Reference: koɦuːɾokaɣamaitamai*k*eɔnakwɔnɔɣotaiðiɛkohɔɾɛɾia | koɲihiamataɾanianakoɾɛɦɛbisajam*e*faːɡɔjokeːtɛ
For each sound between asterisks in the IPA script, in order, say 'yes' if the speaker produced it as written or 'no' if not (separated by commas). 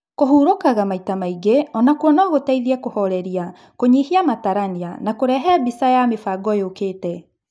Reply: no, yes